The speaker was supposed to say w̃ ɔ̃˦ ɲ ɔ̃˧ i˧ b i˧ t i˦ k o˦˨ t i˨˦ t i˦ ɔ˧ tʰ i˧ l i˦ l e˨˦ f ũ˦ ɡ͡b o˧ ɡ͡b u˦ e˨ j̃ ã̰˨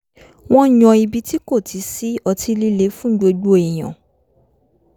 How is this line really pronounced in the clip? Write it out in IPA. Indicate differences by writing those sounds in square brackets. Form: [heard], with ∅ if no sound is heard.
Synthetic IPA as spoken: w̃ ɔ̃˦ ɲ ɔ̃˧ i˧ b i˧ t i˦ k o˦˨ t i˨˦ [s] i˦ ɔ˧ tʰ i˧ l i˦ l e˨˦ f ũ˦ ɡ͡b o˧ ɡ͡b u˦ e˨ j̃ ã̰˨